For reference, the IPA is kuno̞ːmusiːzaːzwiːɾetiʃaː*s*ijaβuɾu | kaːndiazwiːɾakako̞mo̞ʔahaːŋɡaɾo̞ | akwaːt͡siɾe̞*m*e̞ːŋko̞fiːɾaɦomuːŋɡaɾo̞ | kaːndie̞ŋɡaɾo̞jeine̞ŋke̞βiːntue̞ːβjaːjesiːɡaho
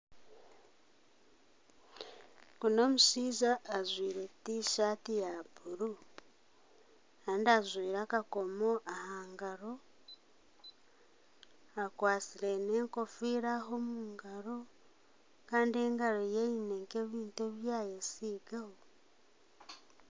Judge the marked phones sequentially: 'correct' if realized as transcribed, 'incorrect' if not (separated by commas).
incorrect, incorrect